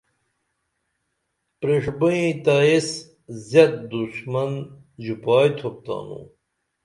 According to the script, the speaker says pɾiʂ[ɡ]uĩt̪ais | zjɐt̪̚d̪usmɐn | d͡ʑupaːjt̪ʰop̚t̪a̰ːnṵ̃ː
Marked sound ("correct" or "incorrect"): incorrect